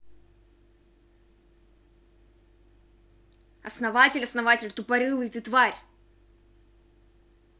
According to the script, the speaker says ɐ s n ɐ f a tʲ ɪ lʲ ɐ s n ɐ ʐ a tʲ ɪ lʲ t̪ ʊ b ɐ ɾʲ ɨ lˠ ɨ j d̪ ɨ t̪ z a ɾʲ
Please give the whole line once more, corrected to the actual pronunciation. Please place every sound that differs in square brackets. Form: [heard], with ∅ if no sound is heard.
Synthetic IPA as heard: ɐ s n ɐ [v] a tʲ ɪ lʲ ɐ s n ɐ [v] a tʲ ɪ lʲ t̪ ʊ [p] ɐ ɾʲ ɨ lˠ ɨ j [t̪] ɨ t̪ [v] a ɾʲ